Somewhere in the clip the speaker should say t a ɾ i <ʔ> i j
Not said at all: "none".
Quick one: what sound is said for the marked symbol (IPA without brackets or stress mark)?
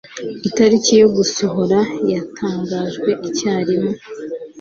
c